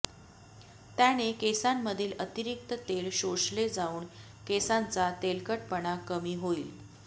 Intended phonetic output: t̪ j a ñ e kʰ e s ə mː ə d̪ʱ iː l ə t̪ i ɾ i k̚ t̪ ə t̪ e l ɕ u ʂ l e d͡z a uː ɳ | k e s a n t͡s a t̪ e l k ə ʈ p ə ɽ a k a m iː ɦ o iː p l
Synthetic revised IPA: t̪ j a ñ e k e s a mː ə d̪ʱ iː l ə t̪ i ɾ i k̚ t̪ ə t̪ e l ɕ o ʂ l e d͡z a uː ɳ | k e s a n t͡s a t̪ e l k ə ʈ p ə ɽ a k ə m iː ɦ o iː l